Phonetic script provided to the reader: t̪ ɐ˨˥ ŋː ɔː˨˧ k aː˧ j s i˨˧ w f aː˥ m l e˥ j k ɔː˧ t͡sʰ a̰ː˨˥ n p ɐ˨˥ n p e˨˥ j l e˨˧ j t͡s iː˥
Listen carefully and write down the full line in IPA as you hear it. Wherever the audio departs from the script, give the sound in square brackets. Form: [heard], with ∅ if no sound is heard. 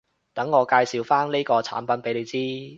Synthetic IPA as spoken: t̪ ɐ˨˥ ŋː ɔː˨˧ k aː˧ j s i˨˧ w f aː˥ [n] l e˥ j k ɔː˧ t͡sʰ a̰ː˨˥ n p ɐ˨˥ n p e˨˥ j l e˨˧ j t͡s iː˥